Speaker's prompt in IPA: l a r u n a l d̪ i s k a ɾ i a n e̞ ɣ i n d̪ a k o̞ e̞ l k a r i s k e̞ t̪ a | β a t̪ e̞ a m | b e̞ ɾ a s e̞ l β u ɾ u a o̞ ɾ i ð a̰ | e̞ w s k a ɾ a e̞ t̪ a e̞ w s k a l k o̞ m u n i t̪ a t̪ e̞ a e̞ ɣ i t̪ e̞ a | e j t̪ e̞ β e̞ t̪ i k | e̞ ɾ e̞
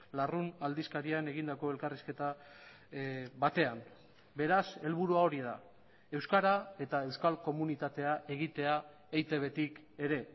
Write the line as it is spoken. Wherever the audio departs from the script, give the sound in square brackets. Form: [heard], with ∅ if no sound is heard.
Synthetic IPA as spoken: l a r u n a l d̪ i s k a ɾ i a n e̞ ɣ i n d̪ a k o̞ e̞ l k a r i s k e̞ t̪ a | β a t̪ e̞ a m | b e̞ ɾ a s e̞ l β u ɾ u a o̞ ɾ i ð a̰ | e̞ w s k a ɾ a e̞ t̪ a e̞ w s k a l k o̞ m u n i t̪ a t̪ e̞ a e̞ ɣ i t̪ e̞ a | e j t̪ e̞ β e̞ t̪ i k | e̞ ɾ e̞